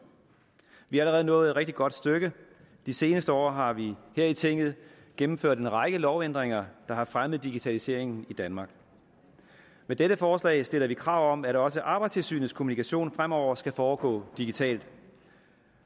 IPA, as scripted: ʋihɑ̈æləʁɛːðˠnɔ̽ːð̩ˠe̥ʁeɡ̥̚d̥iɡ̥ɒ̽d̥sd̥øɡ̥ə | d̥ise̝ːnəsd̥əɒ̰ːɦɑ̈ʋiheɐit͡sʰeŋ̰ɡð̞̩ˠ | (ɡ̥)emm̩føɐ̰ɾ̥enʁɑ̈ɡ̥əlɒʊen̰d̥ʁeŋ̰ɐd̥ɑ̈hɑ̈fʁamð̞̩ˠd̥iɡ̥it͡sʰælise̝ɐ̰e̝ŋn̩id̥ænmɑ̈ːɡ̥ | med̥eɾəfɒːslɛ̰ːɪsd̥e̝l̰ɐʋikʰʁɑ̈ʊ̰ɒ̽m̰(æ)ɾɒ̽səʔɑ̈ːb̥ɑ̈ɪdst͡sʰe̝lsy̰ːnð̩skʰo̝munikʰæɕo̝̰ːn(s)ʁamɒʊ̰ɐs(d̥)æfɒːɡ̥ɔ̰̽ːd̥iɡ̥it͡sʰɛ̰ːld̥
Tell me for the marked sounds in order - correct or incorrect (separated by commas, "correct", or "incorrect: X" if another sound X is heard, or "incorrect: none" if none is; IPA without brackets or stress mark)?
correct, correct, incorrect: f, incorrect: ɡ̥